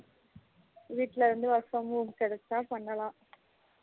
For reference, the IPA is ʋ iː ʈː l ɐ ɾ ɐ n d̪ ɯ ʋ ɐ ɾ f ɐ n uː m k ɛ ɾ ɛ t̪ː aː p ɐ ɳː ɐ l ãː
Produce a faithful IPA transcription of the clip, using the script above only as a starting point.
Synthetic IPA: ʋ iː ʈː l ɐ ɾ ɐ n d̪ ɯ ʋ ɐ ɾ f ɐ m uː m k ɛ ɽ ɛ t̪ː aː p ɐ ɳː ɐ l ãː